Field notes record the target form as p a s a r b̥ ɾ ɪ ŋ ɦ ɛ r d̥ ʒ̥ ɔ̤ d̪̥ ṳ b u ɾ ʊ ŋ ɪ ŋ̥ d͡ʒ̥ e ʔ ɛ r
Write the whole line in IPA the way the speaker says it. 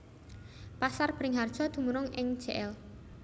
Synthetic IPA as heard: p a s a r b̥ ɾ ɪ ŋ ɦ a r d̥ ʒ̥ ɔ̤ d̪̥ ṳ m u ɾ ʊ ŋ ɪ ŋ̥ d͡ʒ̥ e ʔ ɛ l